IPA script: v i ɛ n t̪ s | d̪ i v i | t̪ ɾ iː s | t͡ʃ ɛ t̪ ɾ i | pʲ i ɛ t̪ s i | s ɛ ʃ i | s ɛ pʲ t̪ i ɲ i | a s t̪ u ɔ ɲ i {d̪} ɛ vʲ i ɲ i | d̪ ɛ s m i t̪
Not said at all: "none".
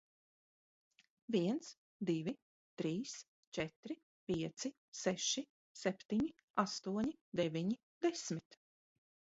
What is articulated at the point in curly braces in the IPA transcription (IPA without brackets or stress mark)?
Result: d̪